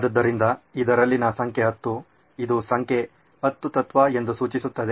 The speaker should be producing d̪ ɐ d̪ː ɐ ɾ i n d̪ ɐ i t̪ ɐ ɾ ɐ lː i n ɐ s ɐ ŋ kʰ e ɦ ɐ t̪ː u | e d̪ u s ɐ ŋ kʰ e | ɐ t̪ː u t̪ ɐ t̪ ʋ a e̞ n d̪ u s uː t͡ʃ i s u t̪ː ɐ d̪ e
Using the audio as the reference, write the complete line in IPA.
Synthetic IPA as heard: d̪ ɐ d̪ː ɐ ɾ i n d̪ ɐ i d̪ ɐ ɾ ɐ lː i n ɐ s ɐ ŋ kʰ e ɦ ɐ t̪ː u | i d̪ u s ɐ ŋ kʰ e | ɐ t̪ː u t̪ ɐ t̪ ʋ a e̞ n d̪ u s uː t͡ʃ i s u t̪ː ɐ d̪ e